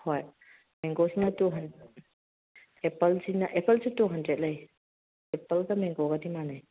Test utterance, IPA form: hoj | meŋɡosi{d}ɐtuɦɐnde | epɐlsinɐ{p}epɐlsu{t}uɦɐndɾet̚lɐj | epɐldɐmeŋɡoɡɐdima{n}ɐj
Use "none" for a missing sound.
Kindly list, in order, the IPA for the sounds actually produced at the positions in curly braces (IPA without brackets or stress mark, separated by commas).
n, ʔ, t, n